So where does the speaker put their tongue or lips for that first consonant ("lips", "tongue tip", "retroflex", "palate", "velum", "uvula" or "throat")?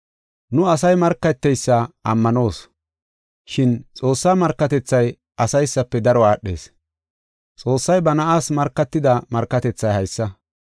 tongue tip